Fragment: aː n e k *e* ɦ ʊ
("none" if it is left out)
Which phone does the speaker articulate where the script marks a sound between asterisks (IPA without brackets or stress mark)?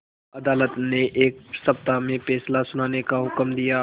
a